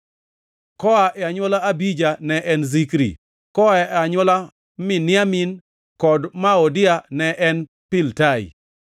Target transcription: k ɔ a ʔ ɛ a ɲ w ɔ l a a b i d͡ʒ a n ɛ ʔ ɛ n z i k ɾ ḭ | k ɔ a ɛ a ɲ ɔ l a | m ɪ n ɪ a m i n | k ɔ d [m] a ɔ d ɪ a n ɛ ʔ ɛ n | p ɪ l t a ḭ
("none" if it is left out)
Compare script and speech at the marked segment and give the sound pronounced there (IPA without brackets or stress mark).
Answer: m